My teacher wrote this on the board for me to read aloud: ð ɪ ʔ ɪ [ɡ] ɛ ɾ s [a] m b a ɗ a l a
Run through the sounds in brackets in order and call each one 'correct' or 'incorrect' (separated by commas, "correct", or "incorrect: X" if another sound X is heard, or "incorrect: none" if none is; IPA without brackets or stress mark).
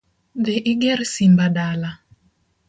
correct, incorrect: i